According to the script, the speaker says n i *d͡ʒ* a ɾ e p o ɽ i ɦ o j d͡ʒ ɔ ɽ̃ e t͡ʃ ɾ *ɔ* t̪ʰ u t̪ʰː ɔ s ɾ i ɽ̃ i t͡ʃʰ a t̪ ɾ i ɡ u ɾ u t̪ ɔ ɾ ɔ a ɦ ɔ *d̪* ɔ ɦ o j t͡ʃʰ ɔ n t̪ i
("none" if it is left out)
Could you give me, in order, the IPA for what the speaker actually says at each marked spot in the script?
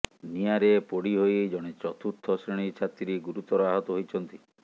none, ɔ, t̪

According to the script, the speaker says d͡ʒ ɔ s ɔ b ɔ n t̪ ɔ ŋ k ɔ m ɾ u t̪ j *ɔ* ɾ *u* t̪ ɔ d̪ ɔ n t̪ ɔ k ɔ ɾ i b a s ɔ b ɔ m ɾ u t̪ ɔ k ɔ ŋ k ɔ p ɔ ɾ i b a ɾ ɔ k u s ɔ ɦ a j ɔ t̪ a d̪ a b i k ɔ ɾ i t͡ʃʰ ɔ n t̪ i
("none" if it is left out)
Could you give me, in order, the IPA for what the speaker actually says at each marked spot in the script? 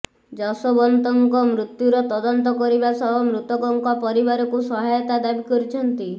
u, ɔ

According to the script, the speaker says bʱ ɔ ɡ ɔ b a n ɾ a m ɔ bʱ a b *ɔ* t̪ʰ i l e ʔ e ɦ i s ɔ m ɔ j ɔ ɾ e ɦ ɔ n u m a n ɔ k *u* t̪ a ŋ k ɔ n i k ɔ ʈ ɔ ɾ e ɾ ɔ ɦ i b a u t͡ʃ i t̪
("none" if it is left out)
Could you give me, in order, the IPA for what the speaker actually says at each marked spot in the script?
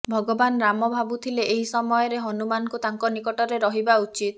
u, u

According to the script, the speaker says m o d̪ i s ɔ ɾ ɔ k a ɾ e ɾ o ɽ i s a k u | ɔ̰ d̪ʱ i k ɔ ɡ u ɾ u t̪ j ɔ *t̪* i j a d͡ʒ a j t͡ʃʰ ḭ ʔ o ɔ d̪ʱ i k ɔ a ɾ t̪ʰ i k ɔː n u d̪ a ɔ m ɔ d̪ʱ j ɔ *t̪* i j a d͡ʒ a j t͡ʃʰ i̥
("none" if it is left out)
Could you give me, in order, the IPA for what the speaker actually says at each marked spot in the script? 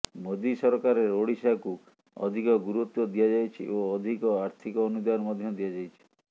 d̪, d̪

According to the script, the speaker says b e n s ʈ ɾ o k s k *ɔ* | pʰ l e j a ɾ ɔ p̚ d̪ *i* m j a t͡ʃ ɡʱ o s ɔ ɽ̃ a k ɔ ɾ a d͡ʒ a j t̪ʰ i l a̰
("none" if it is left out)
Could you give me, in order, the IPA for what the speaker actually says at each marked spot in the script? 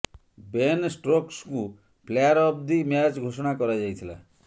u, i

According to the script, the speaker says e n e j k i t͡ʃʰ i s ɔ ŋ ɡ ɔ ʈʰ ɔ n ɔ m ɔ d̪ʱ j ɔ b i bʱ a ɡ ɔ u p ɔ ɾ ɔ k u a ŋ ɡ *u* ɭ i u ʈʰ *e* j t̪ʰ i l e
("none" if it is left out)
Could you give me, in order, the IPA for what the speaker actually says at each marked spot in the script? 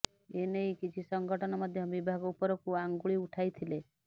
u, a

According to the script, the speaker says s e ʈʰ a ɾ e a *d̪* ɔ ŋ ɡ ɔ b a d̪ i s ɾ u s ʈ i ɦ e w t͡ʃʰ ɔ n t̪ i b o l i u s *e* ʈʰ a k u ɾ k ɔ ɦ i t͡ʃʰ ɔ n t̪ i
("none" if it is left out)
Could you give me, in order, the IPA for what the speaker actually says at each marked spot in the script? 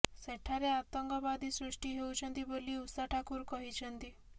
t̪, a

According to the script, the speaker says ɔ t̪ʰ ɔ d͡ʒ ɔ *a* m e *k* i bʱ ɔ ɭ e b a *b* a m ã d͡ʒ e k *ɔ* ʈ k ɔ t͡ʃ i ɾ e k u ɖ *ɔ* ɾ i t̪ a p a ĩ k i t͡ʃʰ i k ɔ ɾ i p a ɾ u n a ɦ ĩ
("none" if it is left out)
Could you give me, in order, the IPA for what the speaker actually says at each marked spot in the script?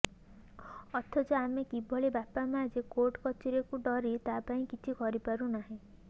a, k, p, o, ɔ

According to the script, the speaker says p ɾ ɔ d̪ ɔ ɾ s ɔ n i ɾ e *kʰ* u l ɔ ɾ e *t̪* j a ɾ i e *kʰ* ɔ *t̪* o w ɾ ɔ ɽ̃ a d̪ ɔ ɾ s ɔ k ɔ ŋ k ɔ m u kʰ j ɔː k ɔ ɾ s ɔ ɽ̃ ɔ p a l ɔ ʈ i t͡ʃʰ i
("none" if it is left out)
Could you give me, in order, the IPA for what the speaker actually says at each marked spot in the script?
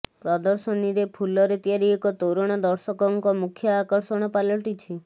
pʰ, t̪, k, t̪

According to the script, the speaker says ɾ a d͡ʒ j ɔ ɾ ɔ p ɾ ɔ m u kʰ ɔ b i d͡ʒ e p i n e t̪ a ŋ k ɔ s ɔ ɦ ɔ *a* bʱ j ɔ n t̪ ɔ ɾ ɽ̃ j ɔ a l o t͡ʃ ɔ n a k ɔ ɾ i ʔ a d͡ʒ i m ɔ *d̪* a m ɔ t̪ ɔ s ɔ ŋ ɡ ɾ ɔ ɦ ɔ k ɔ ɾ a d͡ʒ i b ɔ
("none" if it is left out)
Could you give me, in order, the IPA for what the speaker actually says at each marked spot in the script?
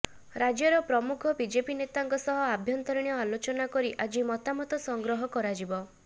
a, t̪

